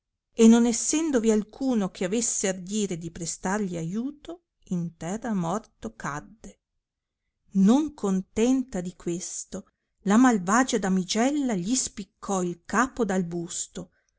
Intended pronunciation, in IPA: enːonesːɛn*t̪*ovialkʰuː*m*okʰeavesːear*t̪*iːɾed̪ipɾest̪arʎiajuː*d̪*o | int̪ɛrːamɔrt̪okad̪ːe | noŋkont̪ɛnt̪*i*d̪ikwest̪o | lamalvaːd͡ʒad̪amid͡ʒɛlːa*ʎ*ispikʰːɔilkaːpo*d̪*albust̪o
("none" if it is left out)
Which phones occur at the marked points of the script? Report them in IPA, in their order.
d̪, n, d̪, t̪, a, ʎ, d̪

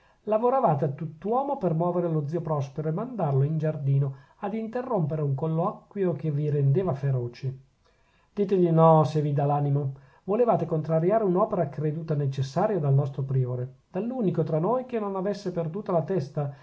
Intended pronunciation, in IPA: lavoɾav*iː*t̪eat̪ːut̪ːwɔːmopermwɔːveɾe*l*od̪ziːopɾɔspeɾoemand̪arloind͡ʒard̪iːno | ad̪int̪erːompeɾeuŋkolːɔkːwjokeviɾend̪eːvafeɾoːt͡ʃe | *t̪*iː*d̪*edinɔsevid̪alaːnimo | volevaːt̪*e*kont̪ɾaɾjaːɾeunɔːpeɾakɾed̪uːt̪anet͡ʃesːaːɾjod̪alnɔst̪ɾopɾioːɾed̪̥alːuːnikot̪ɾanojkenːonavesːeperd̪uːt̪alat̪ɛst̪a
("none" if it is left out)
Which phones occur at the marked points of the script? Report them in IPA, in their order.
aː, l, d̪, t̪, e

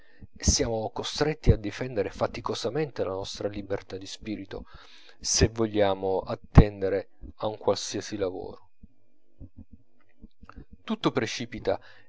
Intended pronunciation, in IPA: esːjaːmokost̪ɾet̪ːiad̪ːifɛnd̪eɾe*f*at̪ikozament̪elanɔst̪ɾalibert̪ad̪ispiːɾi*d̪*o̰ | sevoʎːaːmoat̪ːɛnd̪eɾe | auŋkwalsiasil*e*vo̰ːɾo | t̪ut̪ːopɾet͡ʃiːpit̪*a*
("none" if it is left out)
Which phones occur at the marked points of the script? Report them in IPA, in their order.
f, t̪, a, a

